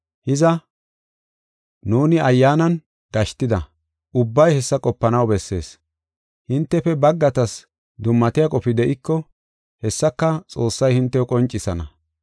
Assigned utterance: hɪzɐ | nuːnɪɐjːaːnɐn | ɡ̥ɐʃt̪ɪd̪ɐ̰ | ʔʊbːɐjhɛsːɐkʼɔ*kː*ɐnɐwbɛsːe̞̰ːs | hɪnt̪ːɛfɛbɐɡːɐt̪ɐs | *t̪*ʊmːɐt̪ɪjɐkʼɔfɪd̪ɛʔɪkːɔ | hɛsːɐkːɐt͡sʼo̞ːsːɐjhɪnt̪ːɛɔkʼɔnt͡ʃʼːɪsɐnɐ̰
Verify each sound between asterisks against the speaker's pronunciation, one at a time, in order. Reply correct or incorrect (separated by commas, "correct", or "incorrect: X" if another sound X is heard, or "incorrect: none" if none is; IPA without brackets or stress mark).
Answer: incorrect: pː, incorrect: d̪